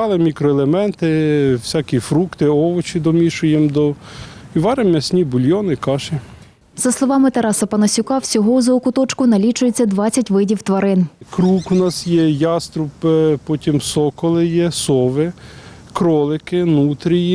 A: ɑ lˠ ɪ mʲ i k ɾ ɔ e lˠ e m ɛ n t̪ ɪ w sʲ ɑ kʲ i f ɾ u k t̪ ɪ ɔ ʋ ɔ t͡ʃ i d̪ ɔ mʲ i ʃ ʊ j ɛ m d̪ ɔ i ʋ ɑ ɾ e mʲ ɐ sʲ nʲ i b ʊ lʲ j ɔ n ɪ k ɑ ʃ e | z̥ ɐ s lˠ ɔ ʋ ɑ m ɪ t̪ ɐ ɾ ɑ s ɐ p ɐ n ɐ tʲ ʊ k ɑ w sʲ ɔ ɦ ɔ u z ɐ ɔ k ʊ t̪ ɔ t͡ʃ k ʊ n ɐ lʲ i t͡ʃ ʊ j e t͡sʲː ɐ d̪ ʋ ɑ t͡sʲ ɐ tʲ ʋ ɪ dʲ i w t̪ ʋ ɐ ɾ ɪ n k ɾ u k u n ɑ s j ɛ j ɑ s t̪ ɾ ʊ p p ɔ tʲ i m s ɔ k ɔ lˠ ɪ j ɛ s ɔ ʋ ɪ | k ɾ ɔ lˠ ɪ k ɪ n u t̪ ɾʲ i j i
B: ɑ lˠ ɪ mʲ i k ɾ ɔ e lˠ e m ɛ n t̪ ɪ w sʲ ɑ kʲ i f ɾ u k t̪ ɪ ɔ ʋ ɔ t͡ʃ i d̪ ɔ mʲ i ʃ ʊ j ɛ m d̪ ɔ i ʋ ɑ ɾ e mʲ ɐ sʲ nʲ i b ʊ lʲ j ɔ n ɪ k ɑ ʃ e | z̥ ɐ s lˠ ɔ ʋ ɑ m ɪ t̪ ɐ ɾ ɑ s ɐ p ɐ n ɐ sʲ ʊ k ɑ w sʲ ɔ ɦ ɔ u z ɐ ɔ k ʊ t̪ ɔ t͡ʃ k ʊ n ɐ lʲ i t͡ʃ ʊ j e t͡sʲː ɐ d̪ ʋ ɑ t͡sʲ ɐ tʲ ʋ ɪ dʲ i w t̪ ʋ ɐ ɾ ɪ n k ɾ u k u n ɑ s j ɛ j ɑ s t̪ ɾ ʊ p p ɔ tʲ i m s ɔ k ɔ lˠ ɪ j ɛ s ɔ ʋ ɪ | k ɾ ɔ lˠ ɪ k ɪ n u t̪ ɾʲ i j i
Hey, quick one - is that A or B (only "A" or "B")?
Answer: B